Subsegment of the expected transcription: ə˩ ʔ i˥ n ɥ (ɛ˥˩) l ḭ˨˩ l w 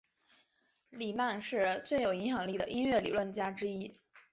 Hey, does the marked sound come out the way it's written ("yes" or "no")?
yes